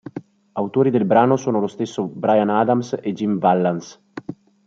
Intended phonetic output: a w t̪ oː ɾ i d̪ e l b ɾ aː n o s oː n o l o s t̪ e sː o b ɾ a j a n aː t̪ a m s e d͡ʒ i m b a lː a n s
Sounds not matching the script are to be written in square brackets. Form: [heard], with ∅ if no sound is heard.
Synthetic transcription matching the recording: a w t̪ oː ɾ i d̪ e l b ɾ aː n o s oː n o l o s t̪ e sː o b ɾ a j a n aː [d̪] a m s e d͡ʒ i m [v] a lː a n s